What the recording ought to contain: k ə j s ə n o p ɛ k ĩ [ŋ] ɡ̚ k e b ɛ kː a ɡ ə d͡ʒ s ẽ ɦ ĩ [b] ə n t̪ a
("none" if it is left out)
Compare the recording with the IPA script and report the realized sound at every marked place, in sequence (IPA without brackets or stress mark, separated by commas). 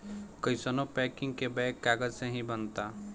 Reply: ŋ, b